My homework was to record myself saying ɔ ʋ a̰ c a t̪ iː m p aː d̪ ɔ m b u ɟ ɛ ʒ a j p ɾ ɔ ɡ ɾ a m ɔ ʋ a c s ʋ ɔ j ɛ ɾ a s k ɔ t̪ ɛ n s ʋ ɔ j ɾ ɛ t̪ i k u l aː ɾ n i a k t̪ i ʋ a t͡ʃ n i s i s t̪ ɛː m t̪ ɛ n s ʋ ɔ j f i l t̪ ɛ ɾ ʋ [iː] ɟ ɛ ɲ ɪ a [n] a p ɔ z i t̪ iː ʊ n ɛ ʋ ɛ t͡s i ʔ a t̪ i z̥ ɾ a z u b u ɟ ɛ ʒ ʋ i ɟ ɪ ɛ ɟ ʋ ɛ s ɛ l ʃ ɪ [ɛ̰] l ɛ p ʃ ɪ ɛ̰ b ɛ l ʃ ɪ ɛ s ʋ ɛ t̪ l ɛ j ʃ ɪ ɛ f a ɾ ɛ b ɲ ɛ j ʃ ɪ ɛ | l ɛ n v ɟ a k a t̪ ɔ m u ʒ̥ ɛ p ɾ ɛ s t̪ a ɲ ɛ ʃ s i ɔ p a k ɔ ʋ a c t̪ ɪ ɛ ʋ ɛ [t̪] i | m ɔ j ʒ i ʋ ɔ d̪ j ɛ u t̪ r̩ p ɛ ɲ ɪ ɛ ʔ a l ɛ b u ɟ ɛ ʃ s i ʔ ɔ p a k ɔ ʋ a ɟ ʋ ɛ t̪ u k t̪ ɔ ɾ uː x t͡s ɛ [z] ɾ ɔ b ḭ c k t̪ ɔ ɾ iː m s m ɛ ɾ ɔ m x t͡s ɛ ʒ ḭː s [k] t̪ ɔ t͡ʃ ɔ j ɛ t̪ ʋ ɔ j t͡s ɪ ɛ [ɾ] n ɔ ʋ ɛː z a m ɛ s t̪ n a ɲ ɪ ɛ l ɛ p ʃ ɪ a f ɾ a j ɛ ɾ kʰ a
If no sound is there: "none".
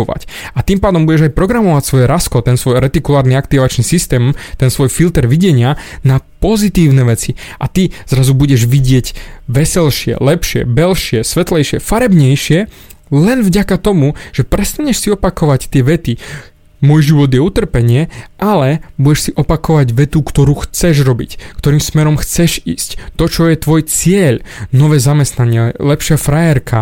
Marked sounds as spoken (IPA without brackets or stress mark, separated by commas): i, n, ɛ̰, t̪, ʒ, c, ʎ